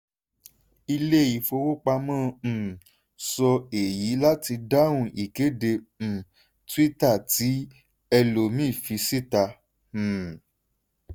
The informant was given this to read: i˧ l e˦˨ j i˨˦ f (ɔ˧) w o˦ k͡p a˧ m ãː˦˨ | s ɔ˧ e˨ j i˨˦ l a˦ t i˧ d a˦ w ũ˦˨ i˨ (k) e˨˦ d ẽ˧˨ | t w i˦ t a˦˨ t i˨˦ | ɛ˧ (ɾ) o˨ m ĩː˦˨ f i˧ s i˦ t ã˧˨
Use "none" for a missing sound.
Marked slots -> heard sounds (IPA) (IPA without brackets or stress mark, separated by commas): o˧, k, l